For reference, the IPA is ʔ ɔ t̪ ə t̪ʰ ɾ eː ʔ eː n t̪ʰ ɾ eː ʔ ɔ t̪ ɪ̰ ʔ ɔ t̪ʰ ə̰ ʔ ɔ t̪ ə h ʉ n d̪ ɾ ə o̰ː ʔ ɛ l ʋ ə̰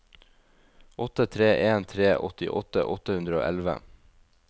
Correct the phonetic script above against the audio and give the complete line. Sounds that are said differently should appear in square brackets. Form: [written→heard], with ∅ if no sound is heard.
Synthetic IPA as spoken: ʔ ɔ t̪ ə t̪ʰ ɾ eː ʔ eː n t̪ʰ ɾ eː ʔ ɔ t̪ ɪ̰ ʔ ɔ [t̪ʰ→t̪] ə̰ ʔ ɔ t̪ ə h ʉ n d̪ ɾ ə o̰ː ʔ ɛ l ʋ ə̰

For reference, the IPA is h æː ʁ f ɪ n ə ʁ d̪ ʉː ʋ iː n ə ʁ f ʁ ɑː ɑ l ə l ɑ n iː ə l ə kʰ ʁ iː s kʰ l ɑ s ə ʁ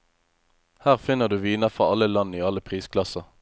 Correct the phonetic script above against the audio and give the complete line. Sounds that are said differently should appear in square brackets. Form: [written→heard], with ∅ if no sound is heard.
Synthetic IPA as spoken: h æː ʁ f ɪ n ə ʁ d̪ ʉː ʋ iː n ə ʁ f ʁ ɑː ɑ l ə l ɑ n iː [ə→ɑ] l ə [kʰ→pʰ] ʁ iː s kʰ l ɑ s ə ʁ

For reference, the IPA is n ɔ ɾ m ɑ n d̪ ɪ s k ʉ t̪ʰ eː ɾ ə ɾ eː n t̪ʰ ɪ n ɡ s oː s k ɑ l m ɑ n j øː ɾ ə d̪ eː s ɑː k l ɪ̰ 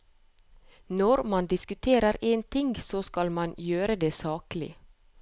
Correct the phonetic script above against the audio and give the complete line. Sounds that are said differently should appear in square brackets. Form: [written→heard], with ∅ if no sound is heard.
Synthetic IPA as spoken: n ɔ ɾ m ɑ n d̪ ɪ s k ʉ t̪ʰ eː ɾ ə ɾ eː n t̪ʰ ɪ [n→ŋ] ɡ s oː s k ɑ l m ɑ n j øː ɾ ə d̪ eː s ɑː k l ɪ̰

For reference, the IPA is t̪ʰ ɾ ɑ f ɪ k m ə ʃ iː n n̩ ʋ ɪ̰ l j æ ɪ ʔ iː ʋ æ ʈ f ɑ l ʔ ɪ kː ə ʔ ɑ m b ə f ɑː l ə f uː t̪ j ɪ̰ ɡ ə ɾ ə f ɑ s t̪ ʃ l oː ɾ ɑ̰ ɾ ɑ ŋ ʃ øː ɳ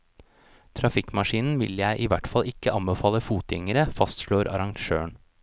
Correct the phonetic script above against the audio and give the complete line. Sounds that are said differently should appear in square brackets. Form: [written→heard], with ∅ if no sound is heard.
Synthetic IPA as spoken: t̪ʰ ɾ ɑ f ɪ k m [ə→ɑ] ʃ iː n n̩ ʋ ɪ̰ l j æ ɪ ʔ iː ʋ æ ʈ f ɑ l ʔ ɪ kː ə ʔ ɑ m b ə f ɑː l ə f uː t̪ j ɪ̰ [ɡ→ŋ] ə ɾ ə f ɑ s t̪ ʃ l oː ɾ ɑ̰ ɾ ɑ ŋ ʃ øː ɳ

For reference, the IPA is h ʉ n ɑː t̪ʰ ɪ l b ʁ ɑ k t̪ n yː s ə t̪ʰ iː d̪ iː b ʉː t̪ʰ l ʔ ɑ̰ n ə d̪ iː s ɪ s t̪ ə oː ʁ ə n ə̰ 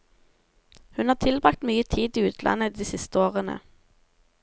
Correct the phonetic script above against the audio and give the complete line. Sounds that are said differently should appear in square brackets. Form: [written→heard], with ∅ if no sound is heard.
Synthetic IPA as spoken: h ʉ n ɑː t̪ʰ ɪ l b ʁ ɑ k t̪ [n→m] yː [s→∅] ə t̪ʰ iː d̪ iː [b→∅] ʉː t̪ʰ l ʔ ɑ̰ n ə d̪ iː s ɪ s t̪ ə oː ʁ ə n ə̰

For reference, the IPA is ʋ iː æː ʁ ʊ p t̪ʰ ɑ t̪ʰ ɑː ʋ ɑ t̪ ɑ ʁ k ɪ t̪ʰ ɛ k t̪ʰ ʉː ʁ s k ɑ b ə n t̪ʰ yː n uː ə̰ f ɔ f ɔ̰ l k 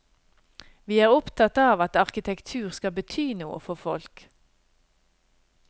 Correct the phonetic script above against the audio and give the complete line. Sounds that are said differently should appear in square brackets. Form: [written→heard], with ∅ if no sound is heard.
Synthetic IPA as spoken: ʋ iː æː ʁ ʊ p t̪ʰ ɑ [t̪ʰ→t̪] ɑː ʋ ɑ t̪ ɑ ʁ k ɪ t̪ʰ ɛ k t̪ʰ ʉː ʁ s k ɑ b ə [n→∅] t̪ʰ yː n uː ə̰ f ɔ f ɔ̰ l k

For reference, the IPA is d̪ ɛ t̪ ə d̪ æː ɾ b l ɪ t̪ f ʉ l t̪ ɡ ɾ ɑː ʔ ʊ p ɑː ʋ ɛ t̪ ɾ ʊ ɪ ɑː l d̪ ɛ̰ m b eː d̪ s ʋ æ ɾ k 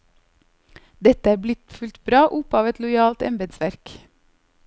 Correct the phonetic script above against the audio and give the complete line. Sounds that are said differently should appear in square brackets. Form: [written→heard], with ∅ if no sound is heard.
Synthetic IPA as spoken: d̪ ɛ t̪ ə [d̪→∅] æː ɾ b l ɪ t̪ f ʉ l t̪ [ɡ→b] ɾ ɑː ʔ ʊ p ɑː ʋ ɛ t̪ [ɾ→l] ʊ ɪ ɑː l [d̪→t̪] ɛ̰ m b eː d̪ s ʋ æ ɾ k

